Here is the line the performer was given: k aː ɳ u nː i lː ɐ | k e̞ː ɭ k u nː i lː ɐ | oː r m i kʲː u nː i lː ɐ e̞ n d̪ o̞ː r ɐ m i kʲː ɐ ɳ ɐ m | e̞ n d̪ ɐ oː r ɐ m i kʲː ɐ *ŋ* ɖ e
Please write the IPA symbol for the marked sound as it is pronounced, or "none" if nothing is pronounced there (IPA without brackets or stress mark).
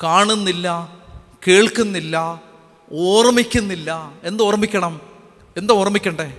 ɳ